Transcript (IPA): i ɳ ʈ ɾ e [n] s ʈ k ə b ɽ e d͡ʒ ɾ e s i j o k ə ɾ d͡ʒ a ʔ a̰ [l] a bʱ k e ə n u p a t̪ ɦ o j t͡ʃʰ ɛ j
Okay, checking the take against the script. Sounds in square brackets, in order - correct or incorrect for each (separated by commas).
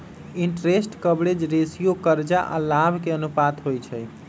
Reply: incorrect, correct